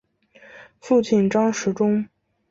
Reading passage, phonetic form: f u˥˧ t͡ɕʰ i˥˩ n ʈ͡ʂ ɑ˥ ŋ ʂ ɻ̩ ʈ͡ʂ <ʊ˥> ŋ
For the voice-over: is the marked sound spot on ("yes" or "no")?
yes